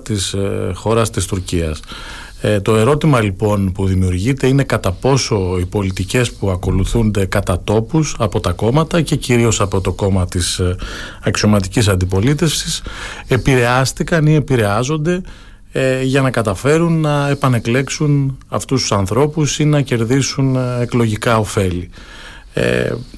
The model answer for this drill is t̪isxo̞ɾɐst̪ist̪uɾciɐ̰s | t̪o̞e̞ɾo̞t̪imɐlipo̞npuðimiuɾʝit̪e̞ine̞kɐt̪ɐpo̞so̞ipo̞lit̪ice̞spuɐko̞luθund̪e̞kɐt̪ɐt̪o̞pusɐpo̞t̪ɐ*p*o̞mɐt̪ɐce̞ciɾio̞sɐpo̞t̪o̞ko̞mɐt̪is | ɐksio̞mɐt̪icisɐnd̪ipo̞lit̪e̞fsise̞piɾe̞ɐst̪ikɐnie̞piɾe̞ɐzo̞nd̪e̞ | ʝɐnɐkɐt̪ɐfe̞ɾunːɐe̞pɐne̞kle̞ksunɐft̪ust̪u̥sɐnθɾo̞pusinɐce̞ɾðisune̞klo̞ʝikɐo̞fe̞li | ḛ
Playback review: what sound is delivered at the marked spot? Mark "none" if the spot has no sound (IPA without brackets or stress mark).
k